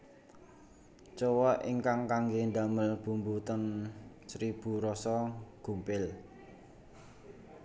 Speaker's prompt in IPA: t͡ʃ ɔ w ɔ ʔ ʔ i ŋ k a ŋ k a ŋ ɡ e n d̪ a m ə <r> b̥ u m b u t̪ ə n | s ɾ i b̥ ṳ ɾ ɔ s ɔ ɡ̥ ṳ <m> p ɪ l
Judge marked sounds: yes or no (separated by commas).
no, yes